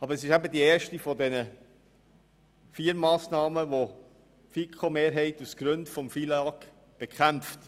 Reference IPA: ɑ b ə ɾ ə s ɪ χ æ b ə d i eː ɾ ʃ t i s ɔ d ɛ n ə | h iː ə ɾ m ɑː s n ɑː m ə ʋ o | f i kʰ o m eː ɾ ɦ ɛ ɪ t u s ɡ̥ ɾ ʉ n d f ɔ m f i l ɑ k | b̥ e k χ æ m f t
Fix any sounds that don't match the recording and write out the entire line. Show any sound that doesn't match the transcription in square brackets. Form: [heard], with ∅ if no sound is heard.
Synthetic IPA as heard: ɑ b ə ɾ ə s ɪ [ʃ] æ b ə d i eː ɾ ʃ t i [f] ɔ d ɛ n ə | [f] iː ə ɾ m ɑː s n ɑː m ə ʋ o | f i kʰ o m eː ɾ ɦ ɛ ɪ t u s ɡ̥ ɾ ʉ n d f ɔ m f i l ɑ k | b̥ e k χ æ m f t